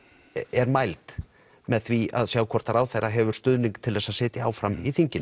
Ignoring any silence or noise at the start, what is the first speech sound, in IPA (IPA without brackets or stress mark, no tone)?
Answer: ɛ